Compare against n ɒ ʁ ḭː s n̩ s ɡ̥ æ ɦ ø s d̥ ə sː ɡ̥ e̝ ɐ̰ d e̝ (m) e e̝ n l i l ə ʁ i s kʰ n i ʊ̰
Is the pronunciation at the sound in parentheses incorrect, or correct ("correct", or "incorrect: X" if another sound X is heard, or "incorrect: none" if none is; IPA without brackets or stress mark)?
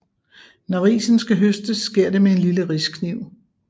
correct